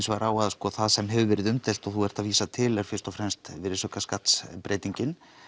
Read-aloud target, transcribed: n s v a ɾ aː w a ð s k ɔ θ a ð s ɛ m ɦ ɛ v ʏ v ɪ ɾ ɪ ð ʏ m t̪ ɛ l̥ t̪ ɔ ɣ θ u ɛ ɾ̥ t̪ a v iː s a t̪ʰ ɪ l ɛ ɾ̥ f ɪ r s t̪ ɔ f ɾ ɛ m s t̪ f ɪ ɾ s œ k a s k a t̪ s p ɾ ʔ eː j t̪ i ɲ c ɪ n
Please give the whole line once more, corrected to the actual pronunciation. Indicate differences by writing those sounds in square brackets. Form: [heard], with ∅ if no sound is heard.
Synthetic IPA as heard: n s v a ɾ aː w a ð s k ɔ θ a ð s ɛ m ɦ ɛ v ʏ v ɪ ɾ ɪ ð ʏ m t̪ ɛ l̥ t̪ ɔ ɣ θ u ɛ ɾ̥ t̪ a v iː s a t̪ʰ ɪ l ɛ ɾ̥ f ɪ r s t̪ ɔ f ɾ ɛ m s t̪ [v] ɪ ɾ s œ k a s k a t̪ s p ɾ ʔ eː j t̪ i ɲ c ɪ n